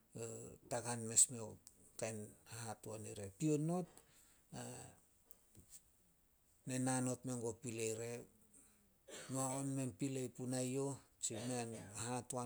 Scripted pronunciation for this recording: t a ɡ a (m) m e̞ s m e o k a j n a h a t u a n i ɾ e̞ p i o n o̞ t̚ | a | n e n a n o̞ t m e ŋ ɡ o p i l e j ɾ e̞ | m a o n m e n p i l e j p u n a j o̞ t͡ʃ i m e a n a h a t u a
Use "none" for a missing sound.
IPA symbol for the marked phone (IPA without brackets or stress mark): n